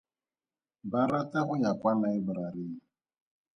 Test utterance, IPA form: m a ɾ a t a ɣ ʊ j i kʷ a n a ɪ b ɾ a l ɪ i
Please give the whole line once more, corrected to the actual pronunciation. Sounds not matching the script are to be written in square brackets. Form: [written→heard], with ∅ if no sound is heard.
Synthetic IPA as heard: [m→b] a ɾ a t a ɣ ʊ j [i→a] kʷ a n a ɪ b ɾ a [l→ɾ] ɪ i